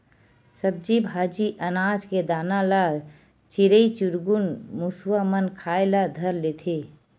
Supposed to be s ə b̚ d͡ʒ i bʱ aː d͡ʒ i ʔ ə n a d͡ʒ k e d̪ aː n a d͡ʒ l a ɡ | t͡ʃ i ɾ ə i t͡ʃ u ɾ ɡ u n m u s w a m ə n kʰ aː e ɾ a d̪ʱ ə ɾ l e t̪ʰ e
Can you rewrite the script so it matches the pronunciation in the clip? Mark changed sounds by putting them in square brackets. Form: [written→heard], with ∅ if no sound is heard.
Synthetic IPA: s ə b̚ d͡ʒ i bʱ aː d͡ʒ i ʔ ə n a d͡ʒ k e d̪ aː n a [d͡ʒ→∅] l a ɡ | t͡ʃ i ɾ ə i t͡ʃ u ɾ ɡ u n m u s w a m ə n kʰ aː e [ɾ→l] a d̪ʱ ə ɾ l e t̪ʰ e